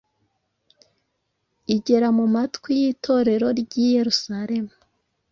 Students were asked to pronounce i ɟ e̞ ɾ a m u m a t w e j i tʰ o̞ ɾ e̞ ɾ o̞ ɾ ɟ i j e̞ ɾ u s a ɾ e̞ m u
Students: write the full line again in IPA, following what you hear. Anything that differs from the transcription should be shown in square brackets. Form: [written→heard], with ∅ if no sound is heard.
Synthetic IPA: i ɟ e̞ ɾ a m u m a t w [e→i] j i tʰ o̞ ɾ e̞ ɾ o̞ ɾ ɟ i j e̞ ɾ u s a ɾ e̞ m u